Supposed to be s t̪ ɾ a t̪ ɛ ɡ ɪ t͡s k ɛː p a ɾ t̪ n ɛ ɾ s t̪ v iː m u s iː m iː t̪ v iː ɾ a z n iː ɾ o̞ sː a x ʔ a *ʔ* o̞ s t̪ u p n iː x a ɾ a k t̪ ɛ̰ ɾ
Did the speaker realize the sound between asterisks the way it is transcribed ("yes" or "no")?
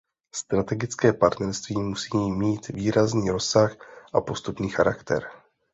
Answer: no